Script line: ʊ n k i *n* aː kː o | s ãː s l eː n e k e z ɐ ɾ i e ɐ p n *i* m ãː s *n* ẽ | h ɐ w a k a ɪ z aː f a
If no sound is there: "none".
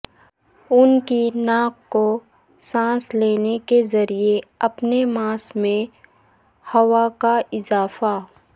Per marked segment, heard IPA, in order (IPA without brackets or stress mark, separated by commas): n, e, m